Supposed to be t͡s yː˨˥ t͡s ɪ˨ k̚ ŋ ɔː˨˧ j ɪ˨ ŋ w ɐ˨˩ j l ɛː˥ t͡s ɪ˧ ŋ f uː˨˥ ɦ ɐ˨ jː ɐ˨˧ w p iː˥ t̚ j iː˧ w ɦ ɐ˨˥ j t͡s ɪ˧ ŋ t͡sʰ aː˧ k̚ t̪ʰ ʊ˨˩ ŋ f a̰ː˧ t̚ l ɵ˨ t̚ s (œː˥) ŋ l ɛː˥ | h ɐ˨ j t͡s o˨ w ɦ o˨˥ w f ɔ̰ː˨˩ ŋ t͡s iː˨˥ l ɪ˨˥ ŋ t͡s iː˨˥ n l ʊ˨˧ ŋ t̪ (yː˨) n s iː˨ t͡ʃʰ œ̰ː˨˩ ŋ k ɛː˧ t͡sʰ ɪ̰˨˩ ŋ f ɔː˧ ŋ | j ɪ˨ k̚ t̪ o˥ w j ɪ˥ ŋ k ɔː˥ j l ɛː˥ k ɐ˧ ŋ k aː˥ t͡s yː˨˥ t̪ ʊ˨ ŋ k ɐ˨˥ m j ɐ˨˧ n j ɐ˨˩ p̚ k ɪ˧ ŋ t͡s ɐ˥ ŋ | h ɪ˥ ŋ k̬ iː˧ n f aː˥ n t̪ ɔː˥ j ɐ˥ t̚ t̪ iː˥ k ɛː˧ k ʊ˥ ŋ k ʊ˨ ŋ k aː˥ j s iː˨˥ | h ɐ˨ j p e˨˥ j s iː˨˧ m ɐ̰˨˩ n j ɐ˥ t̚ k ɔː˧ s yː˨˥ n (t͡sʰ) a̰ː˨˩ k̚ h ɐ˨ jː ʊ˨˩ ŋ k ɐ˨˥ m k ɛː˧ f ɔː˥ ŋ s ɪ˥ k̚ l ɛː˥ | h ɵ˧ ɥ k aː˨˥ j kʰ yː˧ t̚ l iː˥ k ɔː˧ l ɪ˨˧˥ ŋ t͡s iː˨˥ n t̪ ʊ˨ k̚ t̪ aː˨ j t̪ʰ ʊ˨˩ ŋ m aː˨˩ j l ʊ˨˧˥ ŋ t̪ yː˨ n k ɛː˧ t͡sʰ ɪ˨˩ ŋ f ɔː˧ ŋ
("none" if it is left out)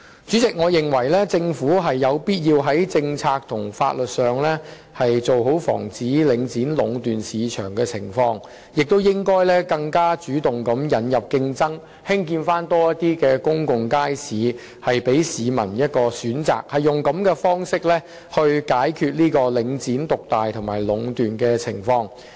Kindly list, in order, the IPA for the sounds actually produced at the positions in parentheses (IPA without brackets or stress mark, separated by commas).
œː˨, yː˨, t͡s